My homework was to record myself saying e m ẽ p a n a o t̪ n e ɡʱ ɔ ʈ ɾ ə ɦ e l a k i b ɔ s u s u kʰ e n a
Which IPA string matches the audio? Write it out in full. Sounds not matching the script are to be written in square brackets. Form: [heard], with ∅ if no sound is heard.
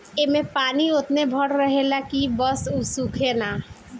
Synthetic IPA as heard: e m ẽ p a n [i] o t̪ n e [bʱ] ɔ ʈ ɾ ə ɦ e l a k i b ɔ s u s u kʰ e n a